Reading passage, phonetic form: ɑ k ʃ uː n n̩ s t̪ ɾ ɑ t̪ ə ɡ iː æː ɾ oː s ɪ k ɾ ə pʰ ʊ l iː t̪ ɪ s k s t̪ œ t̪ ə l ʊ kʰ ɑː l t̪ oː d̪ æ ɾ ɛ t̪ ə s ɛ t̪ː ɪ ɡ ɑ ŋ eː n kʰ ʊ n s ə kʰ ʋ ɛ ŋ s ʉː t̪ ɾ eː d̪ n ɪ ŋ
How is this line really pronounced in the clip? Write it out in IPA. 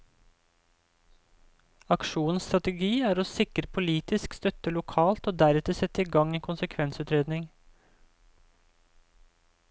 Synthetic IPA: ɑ k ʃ uː n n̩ s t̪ ɾ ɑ t̪ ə ɡ iː æː ɾ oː s ɪ k ɾ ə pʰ ʊ l iː t̪ ɪ s k s t̪ œ t̪ ə l ʊ kʰ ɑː l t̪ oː d̪ æ ɾ ɛ t̪ ə s ɛ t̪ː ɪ ɡ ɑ ŋ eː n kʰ ʊ n s ə kʰ ʋ ɛ n s ʉː t̪ ɾ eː d̪ n ɪ ŋ